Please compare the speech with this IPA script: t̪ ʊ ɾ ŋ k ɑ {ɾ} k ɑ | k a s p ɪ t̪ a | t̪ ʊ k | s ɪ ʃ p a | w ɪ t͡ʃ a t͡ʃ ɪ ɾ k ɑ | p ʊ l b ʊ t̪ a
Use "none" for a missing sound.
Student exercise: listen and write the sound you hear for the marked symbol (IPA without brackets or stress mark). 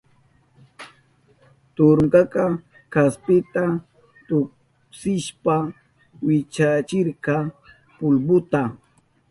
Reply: none